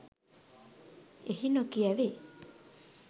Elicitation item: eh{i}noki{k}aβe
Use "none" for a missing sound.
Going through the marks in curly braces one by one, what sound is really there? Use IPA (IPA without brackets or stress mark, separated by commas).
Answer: i, none